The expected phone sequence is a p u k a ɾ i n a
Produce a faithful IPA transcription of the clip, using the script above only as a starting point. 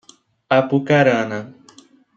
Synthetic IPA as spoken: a p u k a ɾ a n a